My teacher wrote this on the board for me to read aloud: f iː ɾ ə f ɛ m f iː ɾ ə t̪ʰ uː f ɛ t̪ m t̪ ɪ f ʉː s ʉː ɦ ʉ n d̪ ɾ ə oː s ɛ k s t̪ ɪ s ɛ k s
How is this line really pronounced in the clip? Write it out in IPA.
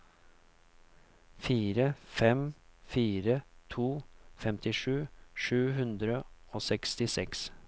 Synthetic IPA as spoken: f iː ɾ ə f ɛ m f iː ɾ ə t̪ʰ uː f ɛ m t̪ ɪ ʂ ʉː ʂ ʉː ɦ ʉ n d̪ ɾ ə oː s ɛ k s t̪ ɪ s ɛ k s